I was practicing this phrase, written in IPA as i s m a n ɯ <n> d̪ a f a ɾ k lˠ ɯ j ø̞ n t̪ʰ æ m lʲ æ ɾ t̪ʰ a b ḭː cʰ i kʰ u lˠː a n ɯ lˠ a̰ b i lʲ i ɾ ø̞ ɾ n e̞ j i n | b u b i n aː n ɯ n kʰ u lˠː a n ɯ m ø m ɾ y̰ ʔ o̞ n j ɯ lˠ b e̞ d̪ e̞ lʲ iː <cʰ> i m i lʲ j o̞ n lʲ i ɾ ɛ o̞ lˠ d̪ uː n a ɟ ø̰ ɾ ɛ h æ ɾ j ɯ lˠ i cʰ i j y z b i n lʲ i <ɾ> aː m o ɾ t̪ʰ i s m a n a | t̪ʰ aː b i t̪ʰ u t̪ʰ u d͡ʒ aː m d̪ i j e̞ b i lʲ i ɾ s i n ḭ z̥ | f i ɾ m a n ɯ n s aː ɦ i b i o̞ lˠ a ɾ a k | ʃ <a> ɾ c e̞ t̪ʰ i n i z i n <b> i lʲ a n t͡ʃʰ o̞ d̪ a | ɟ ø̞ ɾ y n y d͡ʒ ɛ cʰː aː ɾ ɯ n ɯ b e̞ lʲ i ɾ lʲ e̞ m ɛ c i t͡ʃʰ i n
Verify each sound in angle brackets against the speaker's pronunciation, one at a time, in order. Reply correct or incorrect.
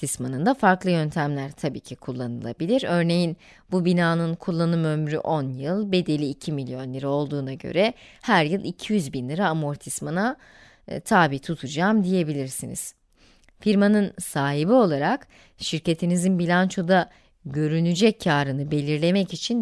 correct, correct, correct, incorrect, correct

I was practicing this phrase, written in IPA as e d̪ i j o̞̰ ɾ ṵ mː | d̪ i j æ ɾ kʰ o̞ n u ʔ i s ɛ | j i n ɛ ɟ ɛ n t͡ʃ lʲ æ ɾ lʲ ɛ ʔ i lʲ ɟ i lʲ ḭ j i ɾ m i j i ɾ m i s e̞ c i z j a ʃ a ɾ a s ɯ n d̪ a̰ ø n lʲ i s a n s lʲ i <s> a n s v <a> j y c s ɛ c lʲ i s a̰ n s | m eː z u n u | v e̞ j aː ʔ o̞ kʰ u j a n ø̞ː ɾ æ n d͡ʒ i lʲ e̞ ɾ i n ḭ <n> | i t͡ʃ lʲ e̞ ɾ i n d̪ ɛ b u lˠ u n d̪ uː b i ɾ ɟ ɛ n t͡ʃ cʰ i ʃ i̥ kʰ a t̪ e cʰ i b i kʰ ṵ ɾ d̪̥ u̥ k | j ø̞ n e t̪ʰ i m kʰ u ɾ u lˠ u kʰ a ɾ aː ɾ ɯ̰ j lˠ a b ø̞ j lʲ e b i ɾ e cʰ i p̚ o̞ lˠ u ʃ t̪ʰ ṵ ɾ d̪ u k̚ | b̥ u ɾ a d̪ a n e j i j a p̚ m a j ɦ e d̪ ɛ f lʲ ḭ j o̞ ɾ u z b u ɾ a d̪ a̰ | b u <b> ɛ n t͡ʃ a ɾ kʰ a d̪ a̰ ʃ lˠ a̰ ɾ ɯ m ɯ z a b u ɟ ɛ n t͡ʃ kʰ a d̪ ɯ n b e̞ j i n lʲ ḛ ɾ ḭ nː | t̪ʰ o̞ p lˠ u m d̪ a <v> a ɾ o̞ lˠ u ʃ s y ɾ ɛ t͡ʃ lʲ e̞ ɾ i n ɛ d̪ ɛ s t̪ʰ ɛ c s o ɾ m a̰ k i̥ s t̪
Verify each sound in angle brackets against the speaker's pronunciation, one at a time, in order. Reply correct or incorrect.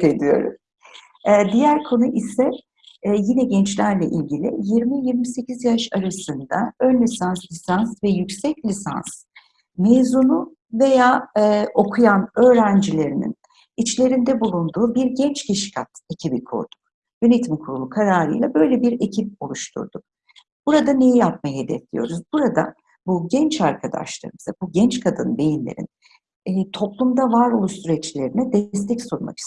correct, incorrect, correct, incorrect, correct

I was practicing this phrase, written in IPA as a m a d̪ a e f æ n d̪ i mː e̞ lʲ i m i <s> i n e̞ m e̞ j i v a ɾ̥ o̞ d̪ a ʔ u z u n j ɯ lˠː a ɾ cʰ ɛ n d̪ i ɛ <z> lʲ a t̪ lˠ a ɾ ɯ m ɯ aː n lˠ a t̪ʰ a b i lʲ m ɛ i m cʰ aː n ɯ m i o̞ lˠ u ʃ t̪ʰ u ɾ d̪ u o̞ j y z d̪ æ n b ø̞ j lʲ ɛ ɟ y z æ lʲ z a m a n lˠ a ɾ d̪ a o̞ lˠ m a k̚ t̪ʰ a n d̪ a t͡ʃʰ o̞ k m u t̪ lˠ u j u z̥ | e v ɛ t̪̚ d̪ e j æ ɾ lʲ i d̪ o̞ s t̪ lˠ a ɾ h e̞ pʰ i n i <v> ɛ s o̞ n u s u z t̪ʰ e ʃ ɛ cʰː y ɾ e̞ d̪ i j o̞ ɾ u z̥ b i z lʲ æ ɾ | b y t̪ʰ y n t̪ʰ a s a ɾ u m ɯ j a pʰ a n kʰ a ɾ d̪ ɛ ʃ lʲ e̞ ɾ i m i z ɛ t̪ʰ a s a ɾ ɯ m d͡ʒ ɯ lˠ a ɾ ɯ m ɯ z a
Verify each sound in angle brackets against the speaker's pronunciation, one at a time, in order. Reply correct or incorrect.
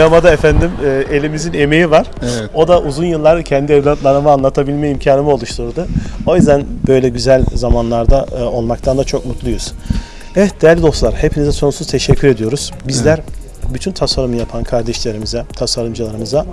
incorrect, incorrect, incorrect

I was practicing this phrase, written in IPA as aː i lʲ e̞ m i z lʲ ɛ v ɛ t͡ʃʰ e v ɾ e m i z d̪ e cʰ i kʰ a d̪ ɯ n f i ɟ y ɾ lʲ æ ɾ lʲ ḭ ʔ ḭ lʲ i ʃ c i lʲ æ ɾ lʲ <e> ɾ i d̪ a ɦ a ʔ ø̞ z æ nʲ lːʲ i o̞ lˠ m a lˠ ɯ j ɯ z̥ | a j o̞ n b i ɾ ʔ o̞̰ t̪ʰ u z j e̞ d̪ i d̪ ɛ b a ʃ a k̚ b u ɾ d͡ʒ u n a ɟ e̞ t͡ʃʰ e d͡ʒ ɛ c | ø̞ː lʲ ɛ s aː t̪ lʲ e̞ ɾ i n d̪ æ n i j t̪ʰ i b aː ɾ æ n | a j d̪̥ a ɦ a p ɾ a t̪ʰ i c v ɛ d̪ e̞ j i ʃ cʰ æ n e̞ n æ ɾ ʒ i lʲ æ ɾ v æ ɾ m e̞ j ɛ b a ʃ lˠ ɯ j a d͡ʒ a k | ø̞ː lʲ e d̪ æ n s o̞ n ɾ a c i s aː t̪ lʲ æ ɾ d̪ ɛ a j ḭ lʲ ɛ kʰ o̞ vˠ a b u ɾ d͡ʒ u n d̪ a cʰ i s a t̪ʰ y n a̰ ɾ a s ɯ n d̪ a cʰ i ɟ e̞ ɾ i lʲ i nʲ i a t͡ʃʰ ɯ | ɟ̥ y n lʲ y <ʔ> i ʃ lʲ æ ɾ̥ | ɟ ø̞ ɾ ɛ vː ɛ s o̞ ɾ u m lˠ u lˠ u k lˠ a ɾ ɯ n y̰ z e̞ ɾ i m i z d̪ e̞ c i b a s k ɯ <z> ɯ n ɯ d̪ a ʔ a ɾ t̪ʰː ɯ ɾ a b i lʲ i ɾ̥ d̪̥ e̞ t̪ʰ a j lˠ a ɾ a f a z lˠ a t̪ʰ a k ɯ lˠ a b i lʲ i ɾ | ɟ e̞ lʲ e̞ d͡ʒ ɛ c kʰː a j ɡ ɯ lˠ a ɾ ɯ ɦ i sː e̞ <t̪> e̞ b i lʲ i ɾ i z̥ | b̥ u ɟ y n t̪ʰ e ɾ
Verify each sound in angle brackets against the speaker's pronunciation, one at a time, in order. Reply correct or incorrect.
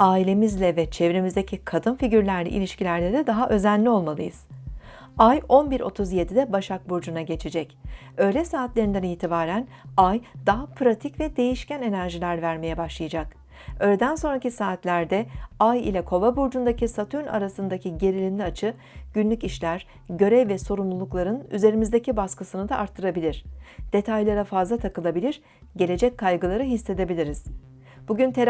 correct, incorrect, incorrect, incorrect

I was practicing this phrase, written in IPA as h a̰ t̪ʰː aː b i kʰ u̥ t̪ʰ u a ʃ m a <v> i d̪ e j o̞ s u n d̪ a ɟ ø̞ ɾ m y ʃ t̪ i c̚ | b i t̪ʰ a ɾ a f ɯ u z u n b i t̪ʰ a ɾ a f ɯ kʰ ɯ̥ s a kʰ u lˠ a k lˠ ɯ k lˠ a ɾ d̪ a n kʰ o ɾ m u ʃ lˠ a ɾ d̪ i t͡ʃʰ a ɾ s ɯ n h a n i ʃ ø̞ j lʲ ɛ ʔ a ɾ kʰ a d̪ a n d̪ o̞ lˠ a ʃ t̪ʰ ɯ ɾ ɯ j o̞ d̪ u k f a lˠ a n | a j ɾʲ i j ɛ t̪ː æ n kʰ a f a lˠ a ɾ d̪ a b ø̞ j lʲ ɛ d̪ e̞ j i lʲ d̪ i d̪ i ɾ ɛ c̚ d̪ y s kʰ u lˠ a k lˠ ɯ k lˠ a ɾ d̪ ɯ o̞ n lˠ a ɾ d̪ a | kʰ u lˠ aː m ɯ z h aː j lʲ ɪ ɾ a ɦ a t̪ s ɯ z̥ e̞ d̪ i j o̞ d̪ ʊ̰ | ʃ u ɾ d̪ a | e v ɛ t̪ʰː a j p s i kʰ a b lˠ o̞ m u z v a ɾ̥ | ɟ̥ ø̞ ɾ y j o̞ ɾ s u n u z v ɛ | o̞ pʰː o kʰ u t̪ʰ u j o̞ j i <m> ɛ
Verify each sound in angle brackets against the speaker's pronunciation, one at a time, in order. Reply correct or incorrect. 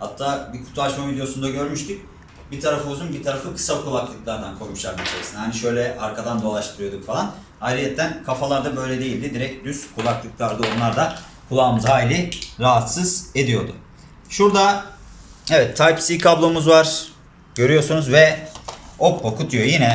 correct, incorrect

